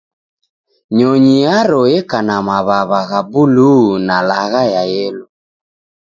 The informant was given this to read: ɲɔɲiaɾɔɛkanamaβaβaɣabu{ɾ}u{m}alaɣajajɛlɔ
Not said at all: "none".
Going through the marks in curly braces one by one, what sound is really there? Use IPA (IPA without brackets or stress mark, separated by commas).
l, n